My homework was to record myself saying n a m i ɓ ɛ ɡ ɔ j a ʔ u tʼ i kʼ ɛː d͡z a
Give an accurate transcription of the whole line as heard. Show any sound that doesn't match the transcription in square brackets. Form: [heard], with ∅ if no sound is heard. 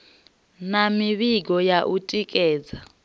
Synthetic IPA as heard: n a m i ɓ [i] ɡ ɔ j a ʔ u tʼ i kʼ ɛː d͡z a